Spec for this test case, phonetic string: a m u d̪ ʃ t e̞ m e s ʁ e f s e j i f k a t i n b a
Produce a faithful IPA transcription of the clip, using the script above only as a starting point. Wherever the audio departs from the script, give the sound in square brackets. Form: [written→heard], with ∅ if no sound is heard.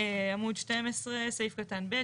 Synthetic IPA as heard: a m u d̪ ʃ t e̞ m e s ʁ e [f→∅] s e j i f k a t [i→a] n b [a→e]